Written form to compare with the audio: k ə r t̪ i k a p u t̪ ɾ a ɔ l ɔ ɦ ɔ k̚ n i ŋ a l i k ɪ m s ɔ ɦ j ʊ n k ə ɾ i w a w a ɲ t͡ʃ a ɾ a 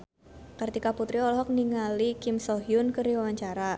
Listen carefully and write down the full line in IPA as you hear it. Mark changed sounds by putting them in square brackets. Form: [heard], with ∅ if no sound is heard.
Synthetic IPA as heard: k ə r t̪ i k a p u t̪ ɾ [i] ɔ l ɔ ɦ ɔ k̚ n i ŋ a l i k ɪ m s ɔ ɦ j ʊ n k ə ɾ i w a w a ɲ t͡ʃ a ɾ a